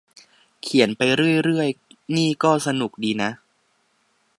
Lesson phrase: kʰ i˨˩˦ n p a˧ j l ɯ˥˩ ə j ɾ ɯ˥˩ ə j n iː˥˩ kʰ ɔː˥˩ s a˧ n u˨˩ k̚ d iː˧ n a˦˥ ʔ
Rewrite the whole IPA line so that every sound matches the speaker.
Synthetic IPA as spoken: kʰ i˨˩˦ n p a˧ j ɾ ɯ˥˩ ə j ɾ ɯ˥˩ ə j n iː˥˩ k ɔː˥˩ s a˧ n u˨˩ k̚ d iː˧ n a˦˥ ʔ